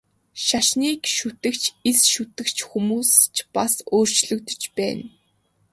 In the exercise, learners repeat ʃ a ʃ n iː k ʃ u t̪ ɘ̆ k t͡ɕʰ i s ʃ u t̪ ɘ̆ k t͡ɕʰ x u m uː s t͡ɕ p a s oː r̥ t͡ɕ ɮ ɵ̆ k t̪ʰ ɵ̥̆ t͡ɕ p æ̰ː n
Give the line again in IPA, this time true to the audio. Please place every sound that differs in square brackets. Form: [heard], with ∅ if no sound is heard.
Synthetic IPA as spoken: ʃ a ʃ n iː k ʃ u t̪ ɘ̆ k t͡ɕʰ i s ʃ u t̪ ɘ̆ k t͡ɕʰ x u m uː s t͡ɕ p a s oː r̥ t͡ɕ ɮ ɵ̆ k [t̪] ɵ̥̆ t͡ɕ p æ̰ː n